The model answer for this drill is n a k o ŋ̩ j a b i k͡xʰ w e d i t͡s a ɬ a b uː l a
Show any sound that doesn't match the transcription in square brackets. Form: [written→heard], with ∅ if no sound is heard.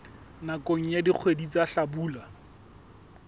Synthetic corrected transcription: n a k o ŋ̩ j a [b→d] i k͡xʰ w e d i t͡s a ɬ a b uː l a